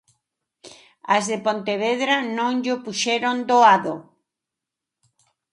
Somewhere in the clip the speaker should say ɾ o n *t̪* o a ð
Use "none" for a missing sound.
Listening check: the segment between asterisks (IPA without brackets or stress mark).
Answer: d̪